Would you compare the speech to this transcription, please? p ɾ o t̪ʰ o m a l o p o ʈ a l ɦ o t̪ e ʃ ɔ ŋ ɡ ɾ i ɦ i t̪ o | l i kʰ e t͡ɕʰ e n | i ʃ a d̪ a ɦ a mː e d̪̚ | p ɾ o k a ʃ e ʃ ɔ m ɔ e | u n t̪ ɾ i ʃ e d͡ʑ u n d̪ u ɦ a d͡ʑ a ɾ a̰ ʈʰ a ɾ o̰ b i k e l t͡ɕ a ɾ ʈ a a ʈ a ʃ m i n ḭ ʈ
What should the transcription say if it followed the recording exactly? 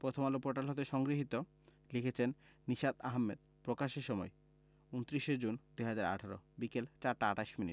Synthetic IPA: p ɾ o t̪ʰ o m a l o p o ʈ a l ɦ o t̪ e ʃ ɔ ŋ ɡ ɾ i ɦ i t̪ o | l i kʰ e t͡ɕʰ e nː | i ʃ a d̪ a ɦ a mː e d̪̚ | p ɾ o k a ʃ e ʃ ɔ m ɔ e | u n t̪ ɾ i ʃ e d͡ʑ u n d̪ u ɦ a d͡ʑ a ɾ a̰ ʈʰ a ɾ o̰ b i k e l t͡ɕ a ɾ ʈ a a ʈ a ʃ m i n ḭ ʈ